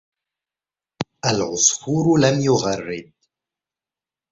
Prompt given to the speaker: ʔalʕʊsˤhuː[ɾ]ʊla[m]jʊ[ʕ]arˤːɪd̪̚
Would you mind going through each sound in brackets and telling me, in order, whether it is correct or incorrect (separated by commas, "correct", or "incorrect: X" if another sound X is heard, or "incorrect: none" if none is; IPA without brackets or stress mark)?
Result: correct, correct, incorrect: ɣ